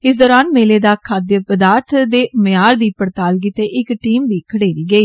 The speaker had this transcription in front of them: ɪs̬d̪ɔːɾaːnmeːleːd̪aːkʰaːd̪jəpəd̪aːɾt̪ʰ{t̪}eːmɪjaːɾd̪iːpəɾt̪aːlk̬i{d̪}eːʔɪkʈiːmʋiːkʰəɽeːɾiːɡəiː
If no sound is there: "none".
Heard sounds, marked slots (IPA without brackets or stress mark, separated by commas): d̪, t̪